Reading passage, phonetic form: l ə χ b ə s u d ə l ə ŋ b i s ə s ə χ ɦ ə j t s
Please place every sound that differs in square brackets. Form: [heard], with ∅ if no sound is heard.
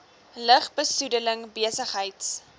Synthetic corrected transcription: l ə χ b ə s u d ə l ə ŋ b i [∅] ə s ə χ ɦ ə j t s